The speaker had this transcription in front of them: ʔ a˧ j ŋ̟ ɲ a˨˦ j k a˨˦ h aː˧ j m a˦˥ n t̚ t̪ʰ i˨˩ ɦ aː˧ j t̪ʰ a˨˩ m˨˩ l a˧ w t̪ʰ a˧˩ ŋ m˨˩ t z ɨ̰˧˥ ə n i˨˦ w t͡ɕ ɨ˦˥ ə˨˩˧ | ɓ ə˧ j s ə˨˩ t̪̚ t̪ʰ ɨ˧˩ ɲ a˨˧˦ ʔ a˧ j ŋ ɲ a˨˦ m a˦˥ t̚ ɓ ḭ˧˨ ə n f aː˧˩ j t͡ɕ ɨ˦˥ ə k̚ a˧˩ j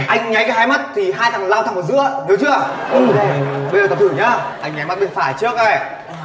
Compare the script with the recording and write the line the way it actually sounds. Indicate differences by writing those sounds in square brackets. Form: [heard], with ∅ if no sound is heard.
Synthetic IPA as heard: ʔ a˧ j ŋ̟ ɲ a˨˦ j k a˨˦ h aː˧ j m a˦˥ [∅] t̚ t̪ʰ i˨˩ ɦ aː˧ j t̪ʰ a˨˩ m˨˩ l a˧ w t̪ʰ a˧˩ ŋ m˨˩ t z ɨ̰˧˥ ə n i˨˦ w t͡ɕ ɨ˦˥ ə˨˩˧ | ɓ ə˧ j [z] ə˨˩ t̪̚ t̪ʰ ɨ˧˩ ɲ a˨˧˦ ʔ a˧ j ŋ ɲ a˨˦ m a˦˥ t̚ ɓ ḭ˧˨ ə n f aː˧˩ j t͡ɕ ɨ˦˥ ə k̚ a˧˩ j